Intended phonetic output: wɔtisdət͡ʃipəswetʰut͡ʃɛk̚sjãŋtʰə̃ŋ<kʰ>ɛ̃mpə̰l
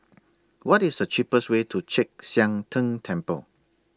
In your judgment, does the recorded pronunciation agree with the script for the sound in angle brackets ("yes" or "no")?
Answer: no